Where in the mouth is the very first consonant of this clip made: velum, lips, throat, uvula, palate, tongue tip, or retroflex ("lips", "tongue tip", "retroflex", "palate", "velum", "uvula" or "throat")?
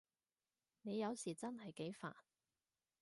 tongue tip